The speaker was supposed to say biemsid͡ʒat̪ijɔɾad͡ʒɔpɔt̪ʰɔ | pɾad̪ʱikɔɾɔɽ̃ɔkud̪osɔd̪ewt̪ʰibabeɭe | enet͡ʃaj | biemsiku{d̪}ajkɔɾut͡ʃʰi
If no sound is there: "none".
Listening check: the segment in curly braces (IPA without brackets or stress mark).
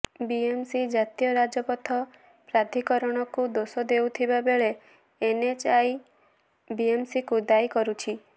d̪